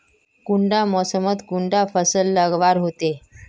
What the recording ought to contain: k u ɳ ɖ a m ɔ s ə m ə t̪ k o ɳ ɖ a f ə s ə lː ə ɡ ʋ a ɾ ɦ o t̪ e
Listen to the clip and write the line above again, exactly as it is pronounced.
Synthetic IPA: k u ɳ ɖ a m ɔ s ə m ə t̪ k u ɳ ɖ a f ə s ə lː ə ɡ ʋ a ɾ ɦ o t̪ e